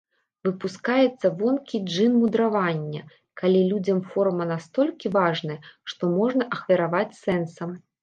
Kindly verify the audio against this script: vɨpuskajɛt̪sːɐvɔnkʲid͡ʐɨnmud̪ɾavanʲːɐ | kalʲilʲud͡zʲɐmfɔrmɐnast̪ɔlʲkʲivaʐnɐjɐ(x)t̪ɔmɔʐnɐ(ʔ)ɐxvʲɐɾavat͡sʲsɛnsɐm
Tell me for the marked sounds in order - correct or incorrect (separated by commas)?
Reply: incorrect, correct